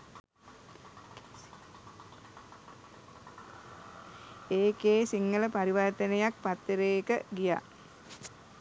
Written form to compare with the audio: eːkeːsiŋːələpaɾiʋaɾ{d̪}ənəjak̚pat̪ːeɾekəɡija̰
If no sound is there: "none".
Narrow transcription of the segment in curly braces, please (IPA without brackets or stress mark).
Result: t̪